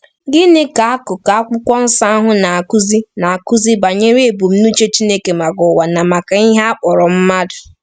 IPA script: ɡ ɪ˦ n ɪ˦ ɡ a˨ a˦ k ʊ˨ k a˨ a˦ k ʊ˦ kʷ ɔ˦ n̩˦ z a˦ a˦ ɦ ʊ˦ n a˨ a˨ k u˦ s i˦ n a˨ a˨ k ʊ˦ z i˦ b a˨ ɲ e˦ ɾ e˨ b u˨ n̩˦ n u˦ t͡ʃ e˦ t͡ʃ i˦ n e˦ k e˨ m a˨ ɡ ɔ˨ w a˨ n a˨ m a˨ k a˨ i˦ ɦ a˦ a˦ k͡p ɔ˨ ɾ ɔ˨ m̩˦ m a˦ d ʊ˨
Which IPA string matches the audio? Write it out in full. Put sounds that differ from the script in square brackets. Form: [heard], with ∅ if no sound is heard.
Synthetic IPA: ɡ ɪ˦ n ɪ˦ [k] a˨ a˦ k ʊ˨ k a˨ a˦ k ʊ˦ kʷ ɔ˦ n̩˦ [s] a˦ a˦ ɦ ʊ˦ n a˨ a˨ k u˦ [z] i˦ n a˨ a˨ k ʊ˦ z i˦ b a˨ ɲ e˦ ɾ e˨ b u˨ [m̩˦] n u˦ t͡ʃ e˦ t͡ʃ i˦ n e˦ k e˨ m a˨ ɡ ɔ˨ w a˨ n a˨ m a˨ k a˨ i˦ ɦ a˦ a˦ k͡p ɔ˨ ɾ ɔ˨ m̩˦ m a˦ d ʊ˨

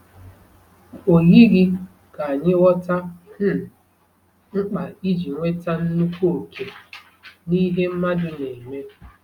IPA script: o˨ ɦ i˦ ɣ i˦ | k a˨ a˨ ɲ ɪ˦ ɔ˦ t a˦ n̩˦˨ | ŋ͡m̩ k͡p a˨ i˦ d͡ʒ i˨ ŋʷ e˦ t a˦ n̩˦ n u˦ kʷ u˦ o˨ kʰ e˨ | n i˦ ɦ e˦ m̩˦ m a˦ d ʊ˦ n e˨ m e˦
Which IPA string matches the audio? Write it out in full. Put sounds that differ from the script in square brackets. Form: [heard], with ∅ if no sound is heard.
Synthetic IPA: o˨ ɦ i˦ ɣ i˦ | k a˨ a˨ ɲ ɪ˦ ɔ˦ t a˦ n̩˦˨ | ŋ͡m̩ k͡p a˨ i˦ d͡ʒ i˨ ŋʷ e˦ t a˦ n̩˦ n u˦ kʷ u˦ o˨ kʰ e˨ | n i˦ ɦ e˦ m̩˦ m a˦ d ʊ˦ n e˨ m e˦

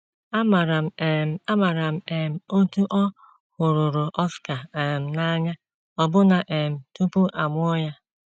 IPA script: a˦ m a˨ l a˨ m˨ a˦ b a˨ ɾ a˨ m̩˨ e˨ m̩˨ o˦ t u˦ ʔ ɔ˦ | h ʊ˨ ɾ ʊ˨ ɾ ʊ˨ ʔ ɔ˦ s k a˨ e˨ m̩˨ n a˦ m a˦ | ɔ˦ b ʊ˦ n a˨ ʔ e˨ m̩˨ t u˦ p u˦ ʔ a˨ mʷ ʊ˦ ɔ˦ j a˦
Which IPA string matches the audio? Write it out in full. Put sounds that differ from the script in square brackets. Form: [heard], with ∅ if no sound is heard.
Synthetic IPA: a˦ m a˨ [ɾ] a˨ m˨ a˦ [m] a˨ ɾ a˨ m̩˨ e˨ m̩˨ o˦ t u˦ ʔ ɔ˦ | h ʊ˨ ɾ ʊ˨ ɾ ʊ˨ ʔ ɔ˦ s k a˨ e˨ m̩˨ n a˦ [ɲ] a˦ | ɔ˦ b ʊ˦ n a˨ ʔ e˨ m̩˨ t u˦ p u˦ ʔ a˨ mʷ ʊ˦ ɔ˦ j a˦

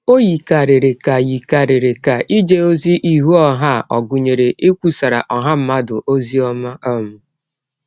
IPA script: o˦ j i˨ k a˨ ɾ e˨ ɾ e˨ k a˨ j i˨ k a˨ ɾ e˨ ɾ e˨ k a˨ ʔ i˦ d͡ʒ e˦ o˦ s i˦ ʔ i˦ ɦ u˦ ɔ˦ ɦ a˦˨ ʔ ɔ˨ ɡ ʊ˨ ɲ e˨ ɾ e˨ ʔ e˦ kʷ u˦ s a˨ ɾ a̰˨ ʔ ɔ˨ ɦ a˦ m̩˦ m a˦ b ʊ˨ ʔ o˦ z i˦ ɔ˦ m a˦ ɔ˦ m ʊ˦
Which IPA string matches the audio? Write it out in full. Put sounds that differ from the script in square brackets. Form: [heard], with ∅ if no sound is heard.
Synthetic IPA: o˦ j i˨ k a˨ ɾ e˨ ɾ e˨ k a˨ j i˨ k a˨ ɾ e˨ ɾ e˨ k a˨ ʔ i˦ d͡ʒ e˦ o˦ [z] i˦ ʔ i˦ ɦ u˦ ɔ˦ ɦ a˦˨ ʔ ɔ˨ ɡ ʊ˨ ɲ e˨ ɾ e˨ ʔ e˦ kʷ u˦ s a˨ ɾ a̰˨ ʔ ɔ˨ ɦ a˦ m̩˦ m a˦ [d] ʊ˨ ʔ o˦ z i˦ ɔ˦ m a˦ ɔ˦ m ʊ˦

